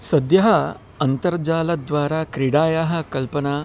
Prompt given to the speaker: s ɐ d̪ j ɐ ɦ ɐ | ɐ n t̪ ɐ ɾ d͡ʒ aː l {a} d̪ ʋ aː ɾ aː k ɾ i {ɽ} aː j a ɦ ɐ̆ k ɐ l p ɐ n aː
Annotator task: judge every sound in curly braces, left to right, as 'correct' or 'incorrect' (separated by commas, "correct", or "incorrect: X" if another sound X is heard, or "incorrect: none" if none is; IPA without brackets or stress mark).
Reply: incorrect: ɐ, correct